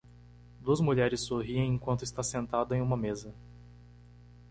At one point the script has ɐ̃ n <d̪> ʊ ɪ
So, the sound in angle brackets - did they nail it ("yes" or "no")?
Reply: no